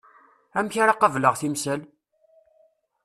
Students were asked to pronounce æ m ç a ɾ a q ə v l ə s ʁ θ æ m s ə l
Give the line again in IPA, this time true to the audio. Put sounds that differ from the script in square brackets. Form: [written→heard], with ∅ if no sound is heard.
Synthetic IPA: æ m ç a ɾ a q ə v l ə [s→∅] ʁ θ [æ→i] m s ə l